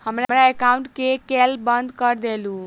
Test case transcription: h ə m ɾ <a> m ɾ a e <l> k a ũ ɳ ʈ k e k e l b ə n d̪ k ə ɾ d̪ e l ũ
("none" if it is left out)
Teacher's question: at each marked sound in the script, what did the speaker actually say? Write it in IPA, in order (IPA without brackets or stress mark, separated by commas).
a, none